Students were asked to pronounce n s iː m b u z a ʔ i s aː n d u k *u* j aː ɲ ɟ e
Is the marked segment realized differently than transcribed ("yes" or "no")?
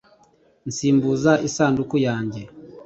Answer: no